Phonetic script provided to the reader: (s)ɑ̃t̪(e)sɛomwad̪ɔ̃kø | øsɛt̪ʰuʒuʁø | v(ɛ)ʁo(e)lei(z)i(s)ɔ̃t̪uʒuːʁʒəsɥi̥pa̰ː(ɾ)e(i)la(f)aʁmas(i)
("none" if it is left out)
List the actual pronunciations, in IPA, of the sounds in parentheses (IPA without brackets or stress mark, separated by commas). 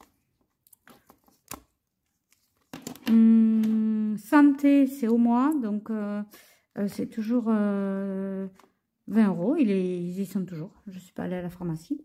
s, e, ɛ̃, i, z, s, l, a, f, i